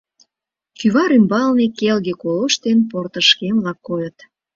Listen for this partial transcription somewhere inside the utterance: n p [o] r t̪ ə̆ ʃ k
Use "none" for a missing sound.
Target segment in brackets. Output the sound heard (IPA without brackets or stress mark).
o